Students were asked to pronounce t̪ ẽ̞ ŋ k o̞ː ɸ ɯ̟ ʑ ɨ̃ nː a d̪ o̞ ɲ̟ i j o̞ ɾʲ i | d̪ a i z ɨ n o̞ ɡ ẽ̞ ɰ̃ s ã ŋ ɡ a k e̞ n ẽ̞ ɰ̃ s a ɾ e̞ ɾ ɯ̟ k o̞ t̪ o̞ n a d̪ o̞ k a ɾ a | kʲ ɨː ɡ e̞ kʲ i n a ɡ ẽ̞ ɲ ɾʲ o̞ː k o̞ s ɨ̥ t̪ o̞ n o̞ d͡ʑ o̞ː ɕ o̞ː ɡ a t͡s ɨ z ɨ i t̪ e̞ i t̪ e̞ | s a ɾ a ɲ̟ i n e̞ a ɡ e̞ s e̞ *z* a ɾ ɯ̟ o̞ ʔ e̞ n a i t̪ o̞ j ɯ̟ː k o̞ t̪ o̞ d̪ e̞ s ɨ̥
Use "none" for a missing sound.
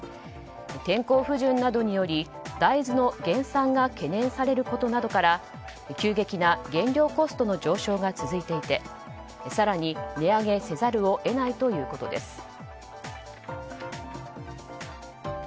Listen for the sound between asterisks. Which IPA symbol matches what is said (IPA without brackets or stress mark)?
z